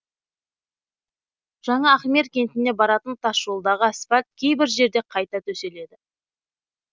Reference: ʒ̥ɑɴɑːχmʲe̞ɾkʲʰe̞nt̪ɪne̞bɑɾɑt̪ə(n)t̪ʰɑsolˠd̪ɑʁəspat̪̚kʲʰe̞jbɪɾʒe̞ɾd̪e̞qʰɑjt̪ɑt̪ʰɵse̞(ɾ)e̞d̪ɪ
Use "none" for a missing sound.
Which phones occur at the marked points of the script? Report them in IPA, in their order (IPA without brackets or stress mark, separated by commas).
n, l